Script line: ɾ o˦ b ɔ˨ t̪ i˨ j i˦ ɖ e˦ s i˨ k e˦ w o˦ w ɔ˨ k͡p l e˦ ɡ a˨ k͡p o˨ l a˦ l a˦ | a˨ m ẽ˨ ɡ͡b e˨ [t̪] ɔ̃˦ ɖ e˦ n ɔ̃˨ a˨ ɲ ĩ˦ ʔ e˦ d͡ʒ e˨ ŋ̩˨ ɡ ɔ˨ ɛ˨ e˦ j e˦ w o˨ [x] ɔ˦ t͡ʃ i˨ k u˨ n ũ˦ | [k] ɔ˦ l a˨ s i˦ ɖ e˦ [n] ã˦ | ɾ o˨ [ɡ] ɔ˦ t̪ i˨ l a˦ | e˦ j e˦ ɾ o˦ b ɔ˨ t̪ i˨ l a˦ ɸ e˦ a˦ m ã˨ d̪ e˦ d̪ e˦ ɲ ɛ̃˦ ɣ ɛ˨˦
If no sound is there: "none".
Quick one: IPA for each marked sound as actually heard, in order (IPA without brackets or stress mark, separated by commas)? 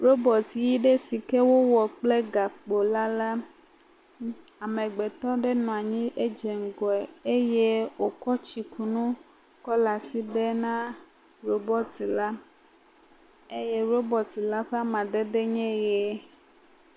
t̪, k, k, n, b